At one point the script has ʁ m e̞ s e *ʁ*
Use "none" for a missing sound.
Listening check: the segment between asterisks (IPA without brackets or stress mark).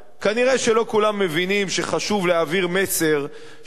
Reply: ʁ